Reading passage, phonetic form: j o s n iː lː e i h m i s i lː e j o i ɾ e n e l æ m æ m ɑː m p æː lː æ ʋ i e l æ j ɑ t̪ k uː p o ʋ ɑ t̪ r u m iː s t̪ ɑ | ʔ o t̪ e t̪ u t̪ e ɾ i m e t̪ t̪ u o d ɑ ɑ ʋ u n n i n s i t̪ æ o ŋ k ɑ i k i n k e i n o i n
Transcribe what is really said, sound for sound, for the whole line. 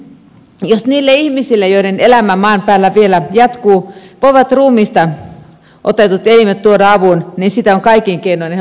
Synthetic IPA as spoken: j o s n iː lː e i h m i s i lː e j o i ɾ e n e l æ m æ m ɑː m p æː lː æ ʋ i e l æ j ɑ t̪ k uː p o ʋ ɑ t̪ r uː m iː s t̪ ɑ | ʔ o t̪ e t̪ u t̪ e l i m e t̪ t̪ u o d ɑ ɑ ʋ u n n i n s i t̪ æ o ŋ k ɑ i k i ŋ k e i n o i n